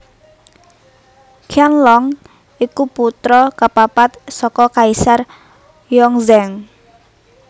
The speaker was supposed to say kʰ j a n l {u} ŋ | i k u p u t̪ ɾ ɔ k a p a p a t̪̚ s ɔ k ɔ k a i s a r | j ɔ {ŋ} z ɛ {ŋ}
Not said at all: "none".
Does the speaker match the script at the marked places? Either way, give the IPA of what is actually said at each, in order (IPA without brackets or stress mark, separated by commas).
ɔ, ŋ, ŋ